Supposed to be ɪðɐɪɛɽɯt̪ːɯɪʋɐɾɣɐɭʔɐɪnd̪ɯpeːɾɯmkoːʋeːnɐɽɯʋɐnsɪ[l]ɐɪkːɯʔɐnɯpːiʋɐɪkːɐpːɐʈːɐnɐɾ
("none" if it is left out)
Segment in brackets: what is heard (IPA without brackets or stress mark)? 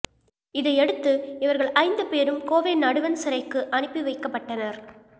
ɾ